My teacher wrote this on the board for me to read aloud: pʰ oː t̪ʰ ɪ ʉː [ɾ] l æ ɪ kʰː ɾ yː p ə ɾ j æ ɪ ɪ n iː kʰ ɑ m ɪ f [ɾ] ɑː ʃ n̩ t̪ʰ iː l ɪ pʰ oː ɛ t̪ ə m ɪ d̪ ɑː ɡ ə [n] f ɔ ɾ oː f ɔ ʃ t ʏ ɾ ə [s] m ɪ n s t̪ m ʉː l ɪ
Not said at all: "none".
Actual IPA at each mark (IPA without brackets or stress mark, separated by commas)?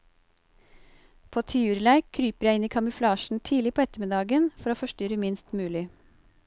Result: ɾ, l, n, none